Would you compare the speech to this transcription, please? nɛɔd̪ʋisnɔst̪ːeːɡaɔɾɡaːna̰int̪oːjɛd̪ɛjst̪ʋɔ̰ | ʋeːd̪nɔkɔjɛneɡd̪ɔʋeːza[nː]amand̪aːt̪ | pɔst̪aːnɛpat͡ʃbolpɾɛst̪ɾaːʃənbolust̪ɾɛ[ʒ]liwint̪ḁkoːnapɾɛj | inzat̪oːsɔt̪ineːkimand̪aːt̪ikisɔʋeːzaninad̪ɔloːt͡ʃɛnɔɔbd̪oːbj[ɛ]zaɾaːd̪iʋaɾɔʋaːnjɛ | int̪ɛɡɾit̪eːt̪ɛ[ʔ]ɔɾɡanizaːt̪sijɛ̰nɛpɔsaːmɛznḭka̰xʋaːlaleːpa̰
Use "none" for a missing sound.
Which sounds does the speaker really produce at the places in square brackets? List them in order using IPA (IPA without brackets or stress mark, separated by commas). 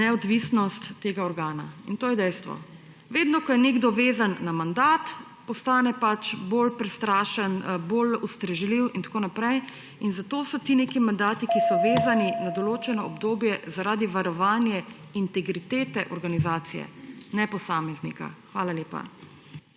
nː, ʒ, ɛ, ʔ